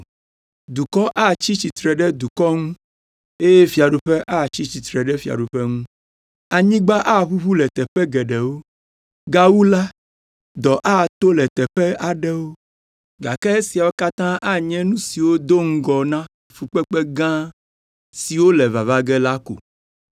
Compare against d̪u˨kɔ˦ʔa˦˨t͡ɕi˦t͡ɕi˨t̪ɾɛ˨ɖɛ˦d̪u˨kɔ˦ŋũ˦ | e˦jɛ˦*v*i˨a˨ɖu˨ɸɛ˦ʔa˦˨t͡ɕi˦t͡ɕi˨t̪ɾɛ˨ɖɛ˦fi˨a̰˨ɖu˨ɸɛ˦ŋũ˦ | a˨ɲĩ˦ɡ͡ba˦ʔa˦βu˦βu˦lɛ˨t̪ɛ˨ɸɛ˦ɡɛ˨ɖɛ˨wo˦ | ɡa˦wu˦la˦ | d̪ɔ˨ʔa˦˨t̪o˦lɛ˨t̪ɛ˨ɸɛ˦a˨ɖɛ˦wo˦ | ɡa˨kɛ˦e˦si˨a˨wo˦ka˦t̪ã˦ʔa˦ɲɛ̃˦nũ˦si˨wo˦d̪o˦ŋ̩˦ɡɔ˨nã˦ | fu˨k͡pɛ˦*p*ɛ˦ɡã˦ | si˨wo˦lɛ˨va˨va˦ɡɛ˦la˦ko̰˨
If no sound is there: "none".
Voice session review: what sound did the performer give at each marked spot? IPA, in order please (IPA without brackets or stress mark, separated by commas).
f, k͡p